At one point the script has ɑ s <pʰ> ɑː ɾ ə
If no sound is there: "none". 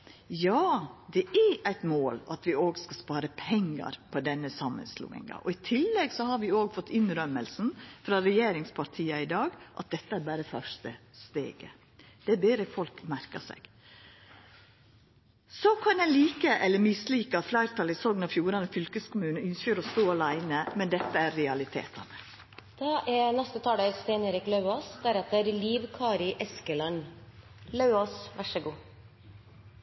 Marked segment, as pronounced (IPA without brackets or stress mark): p